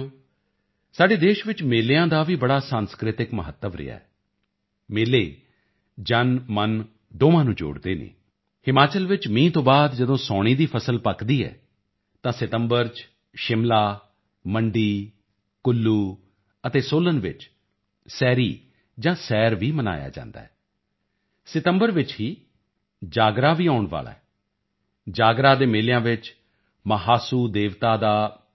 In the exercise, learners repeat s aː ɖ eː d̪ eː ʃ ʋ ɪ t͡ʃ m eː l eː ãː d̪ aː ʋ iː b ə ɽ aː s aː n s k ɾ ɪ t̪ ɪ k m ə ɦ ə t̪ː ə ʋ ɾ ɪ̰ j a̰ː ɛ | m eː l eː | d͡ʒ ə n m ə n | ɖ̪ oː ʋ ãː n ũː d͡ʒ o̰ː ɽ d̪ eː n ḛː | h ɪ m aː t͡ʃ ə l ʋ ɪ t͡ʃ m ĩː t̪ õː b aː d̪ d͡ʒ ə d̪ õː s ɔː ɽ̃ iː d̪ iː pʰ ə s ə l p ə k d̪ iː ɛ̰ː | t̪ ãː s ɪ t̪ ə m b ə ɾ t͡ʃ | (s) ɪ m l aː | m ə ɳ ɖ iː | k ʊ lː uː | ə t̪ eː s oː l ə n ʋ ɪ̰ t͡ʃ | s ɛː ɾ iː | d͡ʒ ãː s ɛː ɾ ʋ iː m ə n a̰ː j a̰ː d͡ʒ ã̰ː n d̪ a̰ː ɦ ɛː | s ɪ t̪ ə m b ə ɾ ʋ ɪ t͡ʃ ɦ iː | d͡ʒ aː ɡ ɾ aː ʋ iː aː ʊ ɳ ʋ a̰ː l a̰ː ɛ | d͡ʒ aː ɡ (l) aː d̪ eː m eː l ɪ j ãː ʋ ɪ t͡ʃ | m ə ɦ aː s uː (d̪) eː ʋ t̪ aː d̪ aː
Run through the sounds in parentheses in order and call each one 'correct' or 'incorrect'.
incorrect: ʃ, incorrect: ɾ, correct

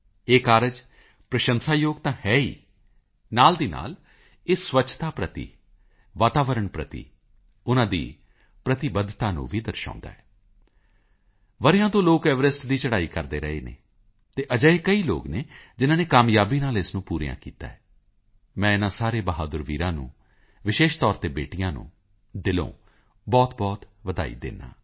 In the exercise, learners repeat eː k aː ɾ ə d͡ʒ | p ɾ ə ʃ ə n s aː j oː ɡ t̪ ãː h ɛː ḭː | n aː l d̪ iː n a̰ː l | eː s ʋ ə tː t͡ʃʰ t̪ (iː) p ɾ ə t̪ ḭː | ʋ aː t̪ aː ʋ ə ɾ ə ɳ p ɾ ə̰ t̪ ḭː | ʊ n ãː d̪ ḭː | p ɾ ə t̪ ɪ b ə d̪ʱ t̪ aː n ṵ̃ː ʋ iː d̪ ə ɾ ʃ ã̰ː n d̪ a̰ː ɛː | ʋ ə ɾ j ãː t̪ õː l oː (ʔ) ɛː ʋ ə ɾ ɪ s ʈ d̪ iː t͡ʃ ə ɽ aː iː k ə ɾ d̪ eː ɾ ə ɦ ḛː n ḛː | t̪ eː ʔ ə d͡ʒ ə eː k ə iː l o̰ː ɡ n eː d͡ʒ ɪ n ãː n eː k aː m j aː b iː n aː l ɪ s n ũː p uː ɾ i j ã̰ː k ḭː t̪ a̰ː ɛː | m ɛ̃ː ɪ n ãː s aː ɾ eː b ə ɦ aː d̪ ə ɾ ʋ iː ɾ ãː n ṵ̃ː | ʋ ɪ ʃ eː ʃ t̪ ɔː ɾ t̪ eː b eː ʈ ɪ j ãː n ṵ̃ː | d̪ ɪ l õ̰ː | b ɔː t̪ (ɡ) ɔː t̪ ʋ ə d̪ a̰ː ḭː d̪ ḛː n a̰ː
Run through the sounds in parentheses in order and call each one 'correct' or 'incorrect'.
incorrect: aː, incorrect: k, incorrect: b

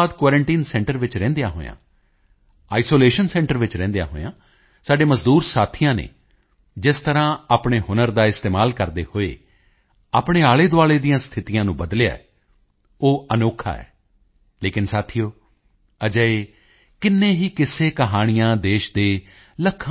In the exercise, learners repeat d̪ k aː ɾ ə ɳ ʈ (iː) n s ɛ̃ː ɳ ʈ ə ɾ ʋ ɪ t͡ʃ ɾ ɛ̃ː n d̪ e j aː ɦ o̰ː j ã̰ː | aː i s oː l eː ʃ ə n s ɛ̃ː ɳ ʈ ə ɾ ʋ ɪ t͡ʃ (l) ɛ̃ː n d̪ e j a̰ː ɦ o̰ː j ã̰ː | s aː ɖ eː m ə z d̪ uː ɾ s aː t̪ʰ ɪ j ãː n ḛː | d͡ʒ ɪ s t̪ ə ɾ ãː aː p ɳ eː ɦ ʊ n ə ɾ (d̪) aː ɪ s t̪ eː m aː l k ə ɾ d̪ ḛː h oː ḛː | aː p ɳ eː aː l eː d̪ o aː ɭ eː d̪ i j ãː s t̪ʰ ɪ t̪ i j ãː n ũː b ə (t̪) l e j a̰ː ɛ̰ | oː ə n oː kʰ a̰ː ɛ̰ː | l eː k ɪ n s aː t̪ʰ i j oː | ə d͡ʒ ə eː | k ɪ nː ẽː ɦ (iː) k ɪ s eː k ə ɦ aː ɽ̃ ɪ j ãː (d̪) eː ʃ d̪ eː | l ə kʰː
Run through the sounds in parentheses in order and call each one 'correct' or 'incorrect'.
correct, incorrect: ɾ, correct, incorrect: d̪, correct, correct

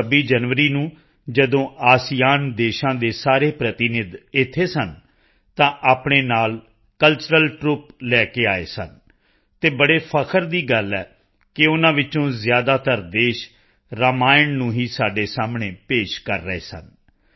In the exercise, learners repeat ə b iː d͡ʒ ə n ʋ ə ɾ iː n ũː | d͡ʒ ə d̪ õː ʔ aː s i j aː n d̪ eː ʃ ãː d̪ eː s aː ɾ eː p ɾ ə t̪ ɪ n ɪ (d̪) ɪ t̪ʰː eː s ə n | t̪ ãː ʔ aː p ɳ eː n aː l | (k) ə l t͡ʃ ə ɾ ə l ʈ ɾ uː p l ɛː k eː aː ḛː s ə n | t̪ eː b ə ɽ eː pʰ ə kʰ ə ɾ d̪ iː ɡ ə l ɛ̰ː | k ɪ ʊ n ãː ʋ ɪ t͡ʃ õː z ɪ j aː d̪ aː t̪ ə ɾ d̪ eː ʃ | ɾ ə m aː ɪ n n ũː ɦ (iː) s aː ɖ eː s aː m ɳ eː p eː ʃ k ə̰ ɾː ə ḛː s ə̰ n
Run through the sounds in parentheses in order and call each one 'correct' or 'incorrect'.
correct, correct, correct

